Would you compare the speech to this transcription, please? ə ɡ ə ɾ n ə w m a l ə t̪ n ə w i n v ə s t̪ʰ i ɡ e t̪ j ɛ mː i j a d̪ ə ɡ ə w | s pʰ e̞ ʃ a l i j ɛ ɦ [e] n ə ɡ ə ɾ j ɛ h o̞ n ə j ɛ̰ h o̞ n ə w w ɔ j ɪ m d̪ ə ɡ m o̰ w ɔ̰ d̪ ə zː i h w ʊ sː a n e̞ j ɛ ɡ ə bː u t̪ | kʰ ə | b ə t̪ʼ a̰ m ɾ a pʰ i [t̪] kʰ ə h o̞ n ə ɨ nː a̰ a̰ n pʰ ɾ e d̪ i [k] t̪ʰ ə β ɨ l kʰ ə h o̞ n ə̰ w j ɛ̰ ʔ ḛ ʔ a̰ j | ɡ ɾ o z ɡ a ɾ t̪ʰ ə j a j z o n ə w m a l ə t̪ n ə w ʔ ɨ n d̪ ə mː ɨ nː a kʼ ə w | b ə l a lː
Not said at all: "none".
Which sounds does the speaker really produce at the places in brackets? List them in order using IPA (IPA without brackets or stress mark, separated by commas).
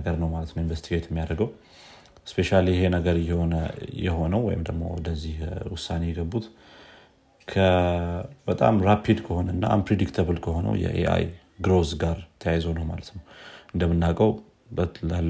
e, d̪, k